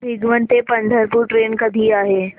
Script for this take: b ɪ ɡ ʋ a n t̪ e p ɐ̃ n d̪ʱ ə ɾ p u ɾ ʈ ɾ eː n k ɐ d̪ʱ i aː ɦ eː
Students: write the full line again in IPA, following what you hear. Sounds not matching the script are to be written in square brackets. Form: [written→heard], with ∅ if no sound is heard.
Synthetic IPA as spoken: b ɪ ɡ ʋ [a→ə] n t̪ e p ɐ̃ n d̪ʱ ə ɾ p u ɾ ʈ ɾ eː n k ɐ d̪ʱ i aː ɦ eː

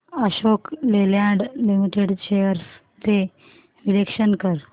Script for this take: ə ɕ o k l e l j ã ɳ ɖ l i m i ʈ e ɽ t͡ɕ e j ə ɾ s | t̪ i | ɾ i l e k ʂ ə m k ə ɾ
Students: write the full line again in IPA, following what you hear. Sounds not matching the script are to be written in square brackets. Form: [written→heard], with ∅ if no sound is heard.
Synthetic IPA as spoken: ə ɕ o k l e l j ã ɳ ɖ l i m i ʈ e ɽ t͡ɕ e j ə ɾ s | t̪ [i→e] | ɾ i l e k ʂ ə [m→n] k ə ɾ

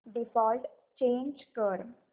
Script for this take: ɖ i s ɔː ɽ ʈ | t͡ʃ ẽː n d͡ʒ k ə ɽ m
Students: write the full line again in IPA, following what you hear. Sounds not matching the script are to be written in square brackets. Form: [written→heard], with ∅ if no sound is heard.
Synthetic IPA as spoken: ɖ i [s→f] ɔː [ɽ→l] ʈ | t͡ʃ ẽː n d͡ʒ k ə [ɽ→ɾ] m

